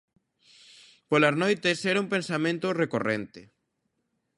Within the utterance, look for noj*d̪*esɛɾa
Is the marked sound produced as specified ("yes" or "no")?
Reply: no